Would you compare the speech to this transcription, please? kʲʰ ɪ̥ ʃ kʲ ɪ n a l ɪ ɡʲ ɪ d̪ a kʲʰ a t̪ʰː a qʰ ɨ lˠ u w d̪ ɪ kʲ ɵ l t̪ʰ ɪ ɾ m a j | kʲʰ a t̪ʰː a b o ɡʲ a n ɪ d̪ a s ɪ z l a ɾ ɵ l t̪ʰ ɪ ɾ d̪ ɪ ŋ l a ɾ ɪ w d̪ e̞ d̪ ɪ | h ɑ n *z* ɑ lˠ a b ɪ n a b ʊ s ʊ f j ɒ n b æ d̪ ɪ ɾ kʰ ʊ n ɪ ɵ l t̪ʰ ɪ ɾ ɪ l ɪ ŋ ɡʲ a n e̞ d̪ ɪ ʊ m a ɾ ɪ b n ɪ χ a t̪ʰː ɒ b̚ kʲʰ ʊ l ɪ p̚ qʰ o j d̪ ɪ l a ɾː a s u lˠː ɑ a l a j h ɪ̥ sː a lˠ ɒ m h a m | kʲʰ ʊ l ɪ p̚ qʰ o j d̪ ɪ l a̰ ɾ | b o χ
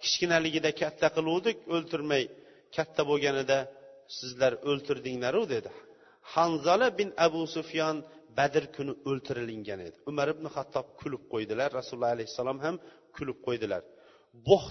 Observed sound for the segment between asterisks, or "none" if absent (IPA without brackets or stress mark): z